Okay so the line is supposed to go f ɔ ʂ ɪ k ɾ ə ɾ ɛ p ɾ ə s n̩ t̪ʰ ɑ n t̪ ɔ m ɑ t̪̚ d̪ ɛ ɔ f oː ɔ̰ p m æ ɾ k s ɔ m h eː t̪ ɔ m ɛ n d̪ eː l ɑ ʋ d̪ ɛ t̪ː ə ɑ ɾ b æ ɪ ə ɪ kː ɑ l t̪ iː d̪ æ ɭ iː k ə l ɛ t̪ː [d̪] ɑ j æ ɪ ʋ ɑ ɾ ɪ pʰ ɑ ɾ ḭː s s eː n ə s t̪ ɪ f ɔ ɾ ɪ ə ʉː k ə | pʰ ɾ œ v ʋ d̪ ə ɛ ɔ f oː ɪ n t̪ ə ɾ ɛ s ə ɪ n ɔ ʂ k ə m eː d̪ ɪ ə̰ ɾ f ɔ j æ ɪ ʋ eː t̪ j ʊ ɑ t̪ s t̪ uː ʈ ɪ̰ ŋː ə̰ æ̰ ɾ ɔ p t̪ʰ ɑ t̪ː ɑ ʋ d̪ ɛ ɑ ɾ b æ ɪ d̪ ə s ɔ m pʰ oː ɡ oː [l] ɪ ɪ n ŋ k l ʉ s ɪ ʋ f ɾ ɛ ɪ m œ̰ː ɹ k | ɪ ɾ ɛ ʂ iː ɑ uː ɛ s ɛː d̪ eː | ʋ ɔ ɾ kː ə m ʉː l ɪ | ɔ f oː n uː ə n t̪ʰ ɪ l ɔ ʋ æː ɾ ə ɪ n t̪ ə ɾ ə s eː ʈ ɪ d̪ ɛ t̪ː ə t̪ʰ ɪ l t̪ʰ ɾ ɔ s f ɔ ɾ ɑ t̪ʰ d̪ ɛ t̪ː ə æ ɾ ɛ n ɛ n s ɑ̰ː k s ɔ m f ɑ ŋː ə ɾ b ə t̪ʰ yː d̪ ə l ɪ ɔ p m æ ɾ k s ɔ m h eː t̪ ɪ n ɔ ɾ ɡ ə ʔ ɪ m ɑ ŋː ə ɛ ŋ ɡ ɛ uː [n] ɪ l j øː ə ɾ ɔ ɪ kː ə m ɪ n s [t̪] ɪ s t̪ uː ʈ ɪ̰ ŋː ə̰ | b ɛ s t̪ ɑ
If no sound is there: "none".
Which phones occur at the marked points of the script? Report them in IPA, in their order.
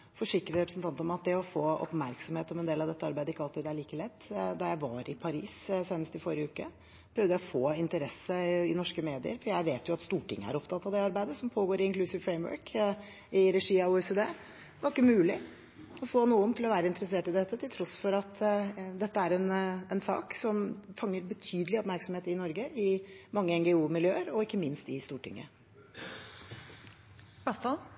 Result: d̪, ɾ, m, t̪

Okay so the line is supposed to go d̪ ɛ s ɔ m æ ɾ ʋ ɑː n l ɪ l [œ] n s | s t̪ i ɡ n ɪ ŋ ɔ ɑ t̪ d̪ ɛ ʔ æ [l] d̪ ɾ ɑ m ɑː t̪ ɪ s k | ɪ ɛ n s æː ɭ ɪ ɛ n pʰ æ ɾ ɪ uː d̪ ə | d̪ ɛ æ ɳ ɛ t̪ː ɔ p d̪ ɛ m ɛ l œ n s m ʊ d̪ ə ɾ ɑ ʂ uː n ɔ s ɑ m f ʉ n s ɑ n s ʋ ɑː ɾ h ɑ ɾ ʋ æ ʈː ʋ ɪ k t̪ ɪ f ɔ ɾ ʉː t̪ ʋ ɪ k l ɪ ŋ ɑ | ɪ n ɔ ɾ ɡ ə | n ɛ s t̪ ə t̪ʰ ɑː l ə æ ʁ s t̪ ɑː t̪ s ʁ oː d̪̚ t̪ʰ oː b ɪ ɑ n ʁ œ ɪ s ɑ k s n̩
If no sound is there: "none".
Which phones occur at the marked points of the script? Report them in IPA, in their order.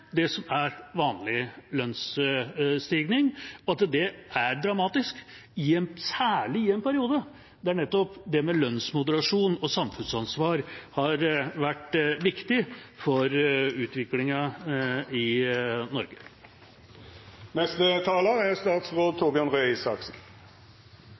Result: œ, ɾ

